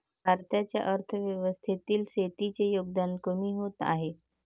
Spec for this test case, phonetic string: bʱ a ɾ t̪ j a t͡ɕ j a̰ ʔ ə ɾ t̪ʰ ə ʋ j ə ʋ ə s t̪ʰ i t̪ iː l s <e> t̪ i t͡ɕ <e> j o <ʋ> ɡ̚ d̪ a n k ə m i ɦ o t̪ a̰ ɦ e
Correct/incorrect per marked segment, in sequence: correct, correct, incorrect

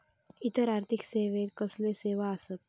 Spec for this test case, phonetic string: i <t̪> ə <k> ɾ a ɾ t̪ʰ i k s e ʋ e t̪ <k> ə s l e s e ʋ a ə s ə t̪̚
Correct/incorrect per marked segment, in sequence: correct, incorrect, correct

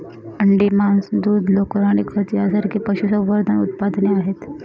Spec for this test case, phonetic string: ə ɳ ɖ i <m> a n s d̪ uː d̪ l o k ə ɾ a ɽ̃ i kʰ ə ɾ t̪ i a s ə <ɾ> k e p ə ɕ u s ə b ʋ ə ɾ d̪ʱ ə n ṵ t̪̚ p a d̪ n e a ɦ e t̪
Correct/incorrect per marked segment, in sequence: correct, correct

